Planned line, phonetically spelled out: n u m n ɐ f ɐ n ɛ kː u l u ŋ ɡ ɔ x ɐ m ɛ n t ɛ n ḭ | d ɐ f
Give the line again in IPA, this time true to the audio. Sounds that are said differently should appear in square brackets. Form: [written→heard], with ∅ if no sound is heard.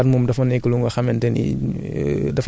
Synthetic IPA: [n→m] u m [n→d] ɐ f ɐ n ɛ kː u l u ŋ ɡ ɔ x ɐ m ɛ n t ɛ n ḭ | d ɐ f